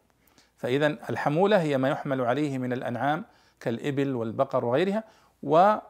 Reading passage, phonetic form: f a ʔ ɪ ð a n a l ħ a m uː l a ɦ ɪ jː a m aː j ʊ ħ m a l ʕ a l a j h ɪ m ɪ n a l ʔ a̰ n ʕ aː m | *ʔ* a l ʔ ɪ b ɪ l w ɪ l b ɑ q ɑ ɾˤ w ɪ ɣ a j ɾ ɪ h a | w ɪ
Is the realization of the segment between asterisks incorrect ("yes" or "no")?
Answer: yes